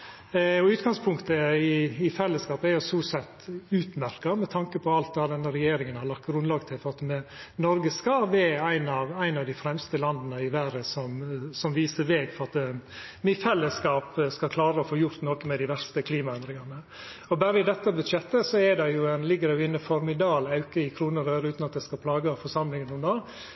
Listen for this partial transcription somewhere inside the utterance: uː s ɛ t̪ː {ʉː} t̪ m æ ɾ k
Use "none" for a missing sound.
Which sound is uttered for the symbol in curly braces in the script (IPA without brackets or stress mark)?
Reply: ʉː